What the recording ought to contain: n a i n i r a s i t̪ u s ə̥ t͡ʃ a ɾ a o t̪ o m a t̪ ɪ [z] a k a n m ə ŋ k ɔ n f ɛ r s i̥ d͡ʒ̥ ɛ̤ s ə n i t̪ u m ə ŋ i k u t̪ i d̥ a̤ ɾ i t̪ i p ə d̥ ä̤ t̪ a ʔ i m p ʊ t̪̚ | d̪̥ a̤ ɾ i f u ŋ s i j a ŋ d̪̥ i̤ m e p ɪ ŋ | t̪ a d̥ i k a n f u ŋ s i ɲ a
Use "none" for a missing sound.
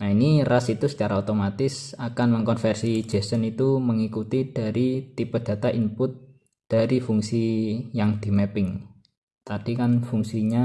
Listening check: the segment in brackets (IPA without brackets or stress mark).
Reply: s